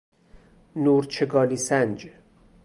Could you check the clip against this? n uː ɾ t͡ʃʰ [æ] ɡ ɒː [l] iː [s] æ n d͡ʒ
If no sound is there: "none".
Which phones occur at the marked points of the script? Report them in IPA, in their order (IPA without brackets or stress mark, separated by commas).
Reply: e, l, s